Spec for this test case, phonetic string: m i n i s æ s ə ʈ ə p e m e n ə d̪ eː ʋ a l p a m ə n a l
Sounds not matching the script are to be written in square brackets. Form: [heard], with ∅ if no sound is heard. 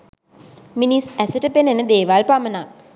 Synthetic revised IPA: m i n i s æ s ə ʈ ə p e [n] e n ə d̪ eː ʋ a l p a m ə n a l